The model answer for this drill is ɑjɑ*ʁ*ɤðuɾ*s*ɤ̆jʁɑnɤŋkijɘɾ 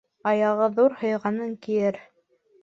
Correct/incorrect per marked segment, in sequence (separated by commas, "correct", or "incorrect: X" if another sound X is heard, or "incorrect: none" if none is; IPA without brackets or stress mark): correct, incorrect: h